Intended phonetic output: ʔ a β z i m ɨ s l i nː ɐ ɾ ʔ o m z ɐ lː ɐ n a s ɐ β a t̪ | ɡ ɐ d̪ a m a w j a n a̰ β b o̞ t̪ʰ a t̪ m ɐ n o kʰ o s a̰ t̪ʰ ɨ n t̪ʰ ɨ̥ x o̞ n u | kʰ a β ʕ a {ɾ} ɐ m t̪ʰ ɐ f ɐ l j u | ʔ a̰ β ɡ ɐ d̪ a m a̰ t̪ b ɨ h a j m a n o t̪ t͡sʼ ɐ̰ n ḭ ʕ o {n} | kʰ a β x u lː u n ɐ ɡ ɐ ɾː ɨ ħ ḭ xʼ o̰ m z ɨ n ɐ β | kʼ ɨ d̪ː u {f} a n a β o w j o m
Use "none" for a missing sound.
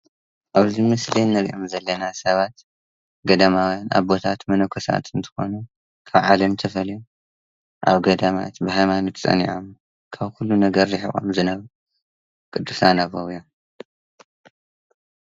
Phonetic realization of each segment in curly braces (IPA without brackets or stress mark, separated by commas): l, m, s